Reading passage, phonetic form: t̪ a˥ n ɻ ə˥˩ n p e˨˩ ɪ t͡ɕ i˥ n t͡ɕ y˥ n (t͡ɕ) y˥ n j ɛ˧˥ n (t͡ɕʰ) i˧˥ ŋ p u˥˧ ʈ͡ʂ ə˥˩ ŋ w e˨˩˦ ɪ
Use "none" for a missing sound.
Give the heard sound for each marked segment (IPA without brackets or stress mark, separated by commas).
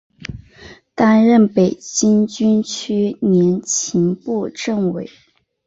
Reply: t͡ɕʰ, t͡ɕʰ